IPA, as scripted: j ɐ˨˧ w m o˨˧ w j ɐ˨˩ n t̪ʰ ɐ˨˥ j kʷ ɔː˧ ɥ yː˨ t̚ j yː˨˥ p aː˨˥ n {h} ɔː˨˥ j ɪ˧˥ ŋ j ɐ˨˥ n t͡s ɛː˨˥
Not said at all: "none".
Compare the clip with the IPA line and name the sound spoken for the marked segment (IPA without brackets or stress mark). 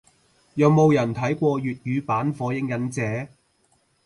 f